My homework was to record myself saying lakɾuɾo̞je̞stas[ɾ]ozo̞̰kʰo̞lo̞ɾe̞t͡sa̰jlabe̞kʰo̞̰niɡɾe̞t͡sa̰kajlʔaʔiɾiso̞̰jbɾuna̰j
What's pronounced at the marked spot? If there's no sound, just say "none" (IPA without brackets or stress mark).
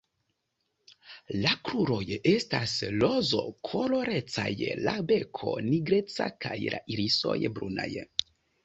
l